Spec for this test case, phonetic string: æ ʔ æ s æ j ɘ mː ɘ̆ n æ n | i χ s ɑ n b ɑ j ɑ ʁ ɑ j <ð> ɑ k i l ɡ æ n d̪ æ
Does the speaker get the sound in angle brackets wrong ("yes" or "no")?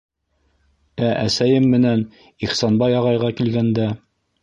yes